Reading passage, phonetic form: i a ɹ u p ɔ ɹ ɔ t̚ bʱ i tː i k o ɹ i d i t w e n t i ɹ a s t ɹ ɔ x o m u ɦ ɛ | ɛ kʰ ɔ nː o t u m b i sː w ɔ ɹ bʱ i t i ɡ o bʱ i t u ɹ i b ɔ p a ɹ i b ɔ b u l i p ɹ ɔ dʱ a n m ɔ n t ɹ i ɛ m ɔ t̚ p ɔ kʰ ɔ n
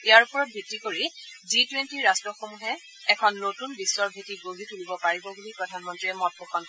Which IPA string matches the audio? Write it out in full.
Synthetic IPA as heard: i a ɹ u p ɔ ɹ ɔ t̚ bʱ i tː i k o ɹ i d i t w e n t i ɹ a s t ɹ ɔ x o m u ɦ ɛ | ɛ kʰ ɔ nː o t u n b i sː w ɔ ɹ bʱ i t i ɡ o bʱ i t u l i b ɔ p a ɹ i b ɔ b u l i p ɹ ɔ dʱ a n m ɔ n t ɹ i ɛ m ɔ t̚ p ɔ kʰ ɔ n